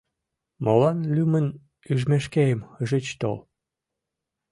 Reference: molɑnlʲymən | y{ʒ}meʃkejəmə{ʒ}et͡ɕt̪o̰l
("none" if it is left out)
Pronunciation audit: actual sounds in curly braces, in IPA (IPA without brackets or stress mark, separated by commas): ʒ, ʒ